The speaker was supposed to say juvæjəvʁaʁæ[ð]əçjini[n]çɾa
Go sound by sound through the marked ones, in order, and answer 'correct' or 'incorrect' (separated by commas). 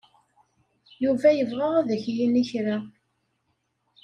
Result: correct, incorrect